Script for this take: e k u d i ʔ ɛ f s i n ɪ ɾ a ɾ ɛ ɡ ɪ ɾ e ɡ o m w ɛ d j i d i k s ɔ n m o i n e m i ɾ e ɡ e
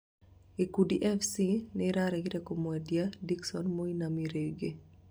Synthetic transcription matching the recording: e k u d i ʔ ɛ f s i n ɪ ɾ a ɾ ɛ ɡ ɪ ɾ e k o m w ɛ d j a d i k s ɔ n m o i n a m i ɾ e ɡ e